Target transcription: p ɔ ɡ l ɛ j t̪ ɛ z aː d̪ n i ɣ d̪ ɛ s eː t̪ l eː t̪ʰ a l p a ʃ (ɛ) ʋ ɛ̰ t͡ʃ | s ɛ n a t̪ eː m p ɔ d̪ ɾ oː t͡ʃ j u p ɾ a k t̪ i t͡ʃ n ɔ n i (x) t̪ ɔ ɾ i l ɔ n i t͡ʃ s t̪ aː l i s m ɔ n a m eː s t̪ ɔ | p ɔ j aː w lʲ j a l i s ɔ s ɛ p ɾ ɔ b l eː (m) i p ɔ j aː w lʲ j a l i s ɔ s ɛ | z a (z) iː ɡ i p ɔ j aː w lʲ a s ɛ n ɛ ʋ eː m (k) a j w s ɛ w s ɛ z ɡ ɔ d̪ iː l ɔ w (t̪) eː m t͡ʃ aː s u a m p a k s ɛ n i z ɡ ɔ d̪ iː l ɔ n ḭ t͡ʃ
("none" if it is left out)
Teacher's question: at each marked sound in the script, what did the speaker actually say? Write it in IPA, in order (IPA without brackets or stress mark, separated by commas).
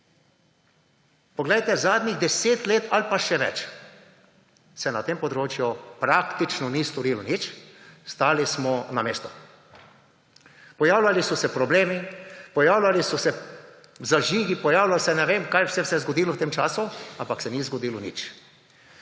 ɛ, s, m, ʒ, k, t̪